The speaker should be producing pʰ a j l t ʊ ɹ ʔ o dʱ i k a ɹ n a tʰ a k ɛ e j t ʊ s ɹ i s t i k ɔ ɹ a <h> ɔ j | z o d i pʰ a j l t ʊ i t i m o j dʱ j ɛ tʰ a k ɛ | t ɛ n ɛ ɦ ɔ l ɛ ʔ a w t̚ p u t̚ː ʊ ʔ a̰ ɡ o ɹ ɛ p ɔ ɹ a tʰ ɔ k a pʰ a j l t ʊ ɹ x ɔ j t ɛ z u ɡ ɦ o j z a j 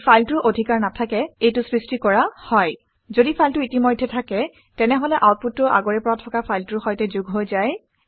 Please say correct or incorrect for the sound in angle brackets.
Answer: correct